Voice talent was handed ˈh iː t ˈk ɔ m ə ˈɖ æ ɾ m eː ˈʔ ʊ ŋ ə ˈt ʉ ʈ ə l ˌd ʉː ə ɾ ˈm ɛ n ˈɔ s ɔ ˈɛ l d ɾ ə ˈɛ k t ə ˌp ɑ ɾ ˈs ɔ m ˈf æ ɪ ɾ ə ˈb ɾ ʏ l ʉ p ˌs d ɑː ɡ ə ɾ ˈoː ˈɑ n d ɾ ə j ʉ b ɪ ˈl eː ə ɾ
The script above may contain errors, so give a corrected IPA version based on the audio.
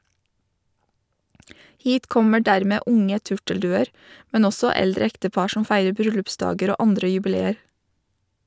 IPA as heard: ˈh iː t ˈk ɔ m ə ˈɖ æ ɾ m eː ˈʔ ʊ ŋ ə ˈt ʉ ʈ ə l ˌd ʉː ə ɾ ˈm ɛ n ˈɔ s ɔ ˈɛ l d ɾ ə ˈɛ k t ə ˌp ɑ ɾ ˈʃ ɔ m ˈf æ ɪ ɾ ə ˈb ɾ ʏ l ʉ p ˌs d ɑː ɡ ə ɾ ˈoː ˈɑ n d ɾ ə j ʉ b ɪ ˈl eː ə ɾ